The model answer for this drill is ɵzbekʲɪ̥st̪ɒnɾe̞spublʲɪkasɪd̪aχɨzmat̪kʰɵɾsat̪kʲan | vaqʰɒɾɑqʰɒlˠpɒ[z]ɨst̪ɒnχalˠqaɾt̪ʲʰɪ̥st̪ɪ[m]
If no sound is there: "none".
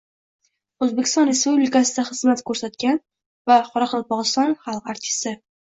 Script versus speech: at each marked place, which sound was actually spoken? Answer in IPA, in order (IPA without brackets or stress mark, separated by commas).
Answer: ʁ, none